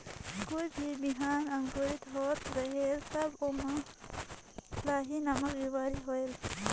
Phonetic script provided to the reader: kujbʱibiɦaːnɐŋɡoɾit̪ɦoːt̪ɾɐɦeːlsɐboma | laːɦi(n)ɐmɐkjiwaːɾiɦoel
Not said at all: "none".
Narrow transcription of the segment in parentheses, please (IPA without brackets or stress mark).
n